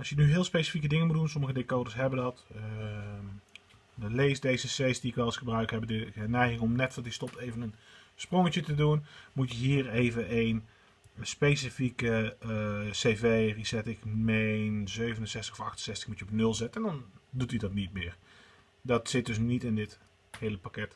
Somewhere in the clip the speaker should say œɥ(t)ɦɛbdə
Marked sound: incorrect: k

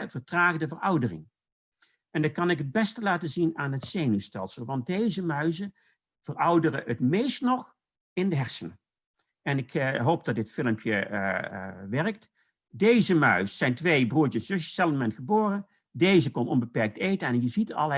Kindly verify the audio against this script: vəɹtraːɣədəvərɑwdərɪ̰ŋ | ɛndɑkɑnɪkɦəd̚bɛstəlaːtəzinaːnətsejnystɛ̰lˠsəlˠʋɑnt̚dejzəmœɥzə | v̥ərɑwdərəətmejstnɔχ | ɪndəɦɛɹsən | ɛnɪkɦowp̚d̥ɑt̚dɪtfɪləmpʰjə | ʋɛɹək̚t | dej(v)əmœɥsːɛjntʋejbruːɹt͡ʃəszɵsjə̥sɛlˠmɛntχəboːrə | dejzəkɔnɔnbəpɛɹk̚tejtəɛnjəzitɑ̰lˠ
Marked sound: incorrect: z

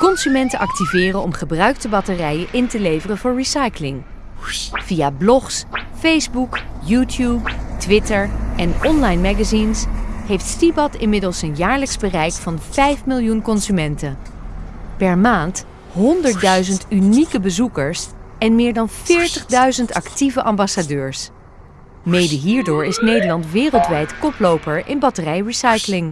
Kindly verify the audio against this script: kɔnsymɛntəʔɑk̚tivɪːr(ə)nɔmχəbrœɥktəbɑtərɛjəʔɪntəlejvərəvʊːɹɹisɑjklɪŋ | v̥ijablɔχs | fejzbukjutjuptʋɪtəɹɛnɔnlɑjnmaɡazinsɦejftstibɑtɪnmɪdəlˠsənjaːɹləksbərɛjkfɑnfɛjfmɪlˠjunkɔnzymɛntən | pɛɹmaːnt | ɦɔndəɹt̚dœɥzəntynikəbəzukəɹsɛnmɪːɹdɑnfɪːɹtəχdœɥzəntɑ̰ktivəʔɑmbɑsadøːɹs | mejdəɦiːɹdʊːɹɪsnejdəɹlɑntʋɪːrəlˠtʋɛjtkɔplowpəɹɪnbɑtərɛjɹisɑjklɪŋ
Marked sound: correct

